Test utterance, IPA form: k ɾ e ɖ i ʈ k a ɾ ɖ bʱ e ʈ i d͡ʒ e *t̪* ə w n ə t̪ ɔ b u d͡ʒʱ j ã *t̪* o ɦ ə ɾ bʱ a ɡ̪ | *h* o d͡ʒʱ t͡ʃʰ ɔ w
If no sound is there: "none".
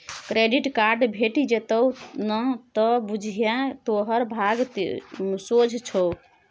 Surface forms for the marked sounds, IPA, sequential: t̪, t̪, s

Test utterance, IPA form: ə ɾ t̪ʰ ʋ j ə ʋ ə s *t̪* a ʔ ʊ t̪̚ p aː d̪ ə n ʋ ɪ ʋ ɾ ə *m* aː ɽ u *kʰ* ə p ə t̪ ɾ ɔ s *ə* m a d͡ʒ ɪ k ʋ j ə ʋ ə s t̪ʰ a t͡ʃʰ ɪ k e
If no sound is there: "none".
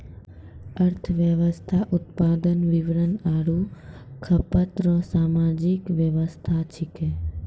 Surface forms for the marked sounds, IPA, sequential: t̪ʰ, n, kʰ, a

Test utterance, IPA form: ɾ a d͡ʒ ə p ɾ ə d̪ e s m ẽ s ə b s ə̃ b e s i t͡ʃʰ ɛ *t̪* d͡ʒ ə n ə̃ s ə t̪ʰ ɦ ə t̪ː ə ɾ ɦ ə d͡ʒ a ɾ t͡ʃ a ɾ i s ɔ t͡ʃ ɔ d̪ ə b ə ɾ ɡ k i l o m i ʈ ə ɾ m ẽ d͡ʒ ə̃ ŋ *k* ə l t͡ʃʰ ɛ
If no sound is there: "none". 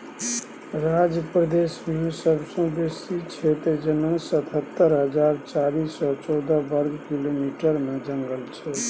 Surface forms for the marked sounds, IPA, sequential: t̪, ɡ

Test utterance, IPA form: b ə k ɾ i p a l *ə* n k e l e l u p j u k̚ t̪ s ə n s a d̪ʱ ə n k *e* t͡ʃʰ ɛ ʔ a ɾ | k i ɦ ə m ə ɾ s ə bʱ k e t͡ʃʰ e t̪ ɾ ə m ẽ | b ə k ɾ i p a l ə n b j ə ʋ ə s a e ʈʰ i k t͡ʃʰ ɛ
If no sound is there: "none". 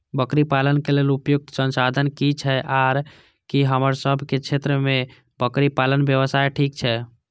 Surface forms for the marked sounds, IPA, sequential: ə, i

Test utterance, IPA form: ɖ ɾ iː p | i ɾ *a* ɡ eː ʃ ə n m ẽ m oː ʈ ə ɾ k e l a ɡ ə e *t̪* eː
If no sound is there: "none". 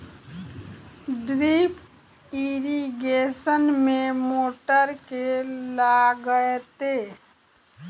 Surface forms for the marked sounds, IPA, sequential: i, t̪

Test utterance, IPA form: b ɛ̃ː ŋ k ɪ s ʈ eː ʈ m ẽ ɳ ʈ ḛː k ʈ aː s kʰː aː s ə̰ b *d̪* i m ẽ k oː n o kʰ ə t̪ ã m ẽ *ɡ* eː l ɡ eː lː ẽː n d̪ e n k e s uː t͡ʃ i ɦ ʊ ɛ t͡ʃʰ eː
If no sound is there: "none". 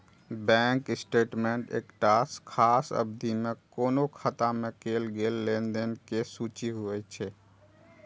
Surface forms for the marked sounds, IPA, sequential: d̪, k

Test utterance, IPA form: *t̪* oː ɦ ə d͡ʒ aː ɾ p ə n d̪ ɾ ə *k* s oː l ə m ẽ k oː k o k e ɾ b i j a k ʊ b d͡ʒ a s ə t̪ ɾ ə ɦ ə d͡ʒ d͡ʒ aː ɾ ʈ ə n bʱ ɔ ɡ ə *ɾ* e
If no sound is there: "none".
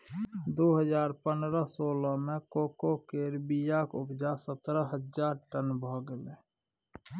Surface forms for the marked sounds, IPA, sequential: d̪, none, l

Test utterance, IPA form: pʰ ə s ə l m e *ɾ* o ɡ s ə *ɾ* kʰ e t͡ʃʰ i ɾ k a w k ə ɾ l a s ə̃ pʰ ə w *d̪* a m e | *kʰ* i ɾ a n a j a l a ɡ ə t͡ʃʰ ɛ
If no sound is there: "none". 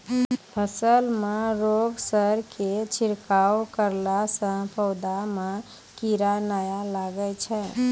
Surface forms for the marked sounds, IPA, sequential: ɾ, ɾ, d̪, k

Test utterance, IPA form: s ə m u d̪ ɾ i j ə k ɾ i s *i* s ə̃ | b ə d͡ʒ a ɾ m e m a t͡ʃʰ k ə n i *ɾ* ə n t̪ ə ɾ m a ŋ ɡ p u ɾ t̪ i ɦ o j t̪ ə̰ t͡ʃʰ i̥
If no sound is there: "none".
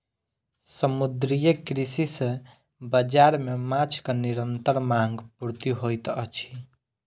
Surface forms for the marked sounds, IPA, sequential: i, ɾ

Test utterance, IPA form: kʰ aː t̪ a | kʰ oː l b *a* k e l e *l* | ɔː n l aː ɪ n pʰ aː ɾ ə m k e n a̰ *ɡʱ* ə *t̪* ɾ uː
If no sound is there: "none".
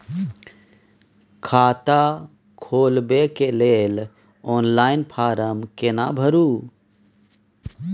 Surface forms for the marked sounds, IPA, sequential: e, l, bʱ, none

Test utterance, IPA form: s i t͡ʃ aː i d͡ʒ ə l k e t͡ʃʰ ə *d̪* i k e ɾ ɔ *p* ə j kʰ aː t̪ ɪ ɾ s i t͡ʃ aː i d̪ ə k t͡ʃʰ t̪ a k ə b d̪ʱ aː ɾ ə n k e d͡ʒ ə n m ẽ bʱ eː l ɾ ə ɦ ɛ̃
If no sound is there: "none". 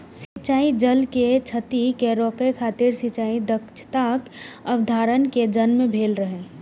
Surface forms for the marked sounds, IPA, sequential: t̪, k

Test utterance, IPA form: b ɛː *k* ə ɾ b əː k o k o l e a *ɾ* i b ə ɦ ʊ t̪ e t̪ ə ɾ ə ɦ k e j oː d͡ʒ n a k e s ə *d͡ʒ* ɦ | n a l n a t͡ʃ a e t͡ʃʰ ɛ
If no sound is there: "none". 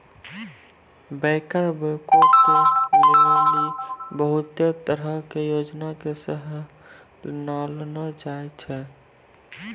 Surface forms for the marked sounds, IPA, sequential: k, l, none

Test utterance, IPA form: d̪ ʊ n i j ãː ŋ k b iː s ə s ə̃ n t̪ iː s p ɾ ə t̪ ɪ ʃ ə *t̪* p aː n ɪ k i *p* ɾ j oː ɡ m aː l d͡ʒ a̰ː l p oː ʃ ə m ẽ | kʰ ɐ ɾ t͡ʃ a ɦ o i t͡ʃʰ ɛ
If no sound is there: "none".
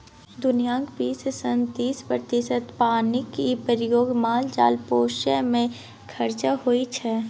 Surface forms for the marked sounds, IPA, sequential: t̪, p

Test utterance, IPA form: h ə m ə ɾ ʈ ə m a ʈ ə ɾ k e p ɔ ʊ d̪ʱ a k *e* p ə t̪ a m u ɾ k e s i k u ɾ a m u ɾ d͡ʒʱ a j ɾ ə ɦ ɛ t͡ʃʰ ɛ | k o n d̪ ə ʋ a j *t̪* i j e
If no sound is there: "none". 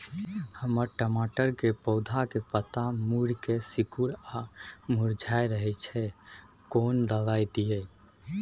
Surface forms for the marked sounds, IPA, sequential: e, d̪

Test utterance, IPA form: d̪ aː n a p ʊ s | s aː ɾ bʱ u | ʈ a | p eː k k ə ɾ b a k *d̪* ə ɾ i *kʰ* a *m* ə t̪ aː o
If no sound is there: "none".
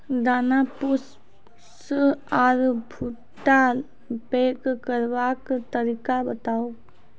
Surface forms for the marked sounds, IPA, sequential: t̪, k, b

